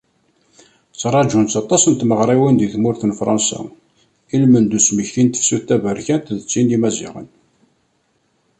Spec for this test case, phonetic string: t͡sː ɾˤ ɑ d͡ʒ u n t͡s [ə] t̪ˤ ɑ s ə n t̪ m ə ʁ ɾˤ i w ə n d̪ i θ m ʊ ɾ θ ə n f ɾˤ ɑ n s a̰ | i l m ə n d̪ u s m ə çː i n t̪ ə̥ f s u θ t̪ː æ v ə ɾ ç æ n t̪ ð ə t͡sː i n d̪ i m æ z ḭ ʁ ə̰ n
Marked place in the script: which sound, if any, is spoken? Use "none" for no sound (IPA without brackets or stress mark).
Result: ɑ